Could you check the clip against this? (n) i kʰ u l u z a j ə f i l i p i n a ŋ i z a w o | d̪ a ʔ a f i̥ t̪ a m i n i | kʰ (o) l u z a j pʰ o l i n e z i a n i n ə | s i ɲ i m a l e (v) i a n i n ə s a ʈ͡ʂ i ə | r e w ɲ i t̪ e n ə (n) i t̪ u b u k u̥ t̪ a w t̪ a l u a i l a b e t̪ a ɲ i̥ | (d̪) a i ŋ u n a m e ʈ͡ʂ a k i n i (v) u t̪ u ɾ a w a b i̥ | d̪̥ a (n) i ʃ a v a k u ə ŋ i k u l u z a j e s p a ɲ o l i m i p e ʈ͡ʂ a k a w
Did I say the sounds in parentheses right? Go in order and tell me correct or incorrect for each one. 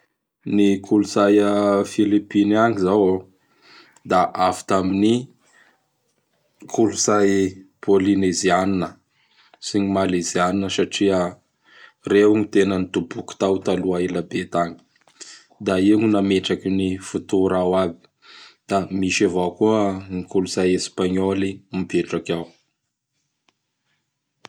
correct, incorrect: u, incorrect: z, correct, correct, incorrect: f, incorrect: m

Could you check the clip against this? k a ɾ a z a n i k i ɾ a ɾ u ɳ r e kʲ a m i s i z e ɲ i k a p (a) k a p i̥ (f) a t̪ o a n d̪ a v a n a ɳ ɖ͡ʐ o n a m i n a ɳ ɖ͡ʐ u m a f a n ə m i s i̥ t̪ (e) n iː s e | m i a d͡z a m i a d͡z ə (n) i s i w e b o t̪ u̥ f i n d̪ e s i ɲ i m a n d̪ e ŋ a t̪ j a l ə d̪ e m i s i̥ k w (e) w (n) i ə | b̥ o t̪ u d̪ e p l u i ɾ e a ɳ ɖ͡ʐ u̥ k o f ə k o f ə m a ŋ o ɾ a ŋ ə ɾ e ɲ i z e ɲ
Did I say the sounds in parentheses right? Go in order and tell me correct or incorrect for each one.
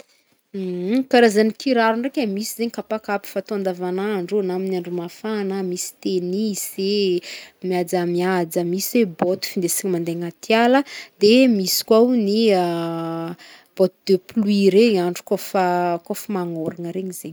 correct, correct, correct, incorrect: m, incorrect: a, correct

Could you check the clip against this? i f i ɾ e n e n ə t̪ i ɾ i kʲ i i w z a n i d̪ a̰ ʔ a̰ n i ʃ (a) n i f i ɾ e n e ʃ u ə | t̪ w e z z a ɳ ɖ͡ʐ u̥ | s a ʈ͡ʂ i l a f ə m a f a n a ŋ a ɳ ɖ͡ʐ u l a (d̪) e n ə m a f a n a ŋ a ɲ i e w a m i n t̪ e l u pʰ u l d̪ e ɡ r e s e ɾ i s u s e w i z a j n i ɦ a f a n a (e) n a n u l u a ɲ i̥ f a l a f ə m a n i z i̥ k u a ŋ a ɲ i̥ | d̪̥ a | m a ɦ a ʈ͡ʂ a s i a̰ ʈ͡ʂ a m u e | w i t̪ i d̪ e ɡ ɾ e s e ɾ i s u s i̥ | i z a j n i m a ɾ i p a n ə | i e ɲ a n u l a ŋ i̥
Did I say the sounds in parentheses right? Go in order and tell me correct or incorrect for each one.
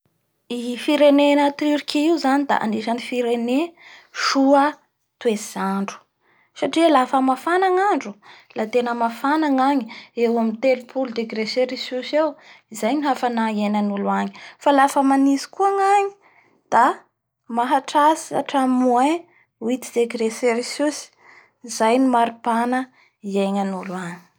correct, incorrect: t̪, correct

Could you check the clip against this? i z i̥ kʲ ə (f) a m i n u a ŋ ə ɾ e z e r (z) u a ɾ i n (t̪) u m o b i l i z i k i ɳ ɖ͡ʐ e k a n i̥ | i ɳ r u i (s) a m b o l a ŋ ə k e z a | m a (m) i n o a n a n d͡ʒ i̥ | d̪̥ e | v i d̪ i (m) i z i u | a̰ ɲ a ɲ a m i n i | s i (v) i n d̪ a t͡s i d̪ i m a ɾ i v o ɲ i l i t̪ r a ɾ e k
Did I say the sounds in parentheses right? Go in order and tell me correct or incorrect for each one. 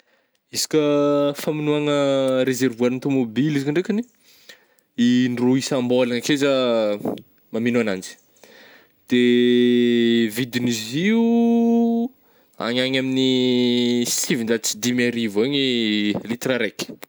correct, incorrect: v, correct, correct, correct, incorrect: n, correct

